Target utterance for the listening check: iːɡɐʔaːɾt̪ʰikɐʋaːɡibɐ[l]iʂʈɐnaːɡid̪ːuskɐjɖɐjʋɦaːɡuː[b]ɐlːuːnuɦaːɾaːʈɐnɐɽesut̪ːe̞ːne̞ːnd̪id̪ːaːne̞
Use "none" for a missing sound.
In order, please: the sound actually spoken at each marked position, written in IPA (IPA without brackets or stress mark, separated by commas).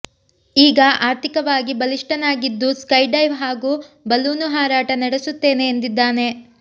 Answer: l, b